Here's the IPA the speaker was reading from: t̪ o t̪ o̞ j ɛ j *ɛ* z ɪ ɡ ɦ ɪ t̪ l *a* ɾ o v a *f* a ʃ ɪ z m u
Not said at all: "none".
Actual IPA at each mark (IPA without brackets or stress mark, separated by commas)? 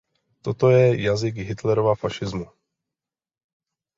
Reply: a, ɛ, f